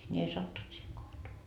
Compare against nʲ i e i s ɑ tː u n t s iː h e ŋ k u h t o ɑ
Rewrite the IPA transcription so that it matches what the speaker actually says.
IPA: nʲ i e i s ɑ tː u n t s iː h e ŋ k o h t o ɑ